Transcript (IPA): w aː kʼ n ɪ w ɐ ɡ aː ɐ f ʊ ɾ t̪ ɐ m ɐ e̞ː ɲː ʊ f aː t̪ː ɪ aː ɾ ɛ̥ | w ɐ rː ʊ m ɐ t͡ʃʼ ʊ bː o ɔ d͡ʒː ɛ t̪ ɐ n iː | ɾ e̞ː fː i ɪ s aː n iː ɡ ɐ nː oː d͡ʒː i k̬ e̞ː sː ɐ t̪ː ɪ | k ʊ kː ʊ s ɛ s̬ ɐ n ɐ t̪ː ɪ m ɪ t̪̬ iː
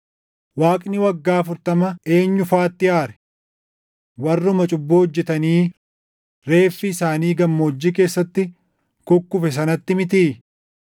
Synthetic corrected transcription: w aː kʼ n ɪ w ɐ ɡː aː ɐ f ʊ ɾ t̪ ɐ m ɐ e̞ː ɲː ʊ f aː t̪ː ɪ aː ɾ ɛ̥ | w ɐ rː ʊ m ɐ t͡ʃʼ ʊ bː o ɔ d͡ʒː ɛ t̪ ɐ n iː | ɾ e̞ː fː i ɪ s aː n iː ɡ ɐ mː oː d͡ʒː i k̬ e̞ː sː ɐ t̪ː ɪ | k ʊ kː ʊ f ɛ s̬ ɐ n ɐ t̪ː ɪ m ɪ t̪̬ iː